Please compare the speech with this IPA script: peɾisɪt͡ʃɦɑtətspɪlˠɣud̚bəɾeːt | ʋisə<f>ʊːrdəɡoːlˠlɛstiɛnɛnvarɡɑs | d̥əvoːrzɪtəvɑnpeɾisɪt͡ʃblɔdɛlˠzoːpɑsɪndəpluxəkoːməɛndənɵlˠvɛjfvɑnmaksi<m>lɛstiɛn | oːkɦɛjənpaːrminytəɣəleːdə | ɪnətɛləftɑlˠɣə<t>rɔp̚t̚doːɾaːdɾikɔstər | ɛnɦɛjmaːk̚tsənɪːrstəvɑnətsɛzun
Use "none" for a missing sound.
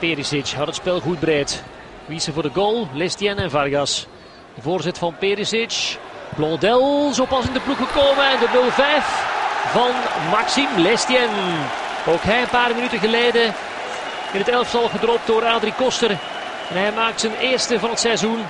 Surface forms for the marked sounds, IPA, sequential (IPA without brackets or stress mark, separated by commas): v, m, d